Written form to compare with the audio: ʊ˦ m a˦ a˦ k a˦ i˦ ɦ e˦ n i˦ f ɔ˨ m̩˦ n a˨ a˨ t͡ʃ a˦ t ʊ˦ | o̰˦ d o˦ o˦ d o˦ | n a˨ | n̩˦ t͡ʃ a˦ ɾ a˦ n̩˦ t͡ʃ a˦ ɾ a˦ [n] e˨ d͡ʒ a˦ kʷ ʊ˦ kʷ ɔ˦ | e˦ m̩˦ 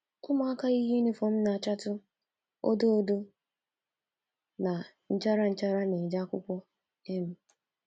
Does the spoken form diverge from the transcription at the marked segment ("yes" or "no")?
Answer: no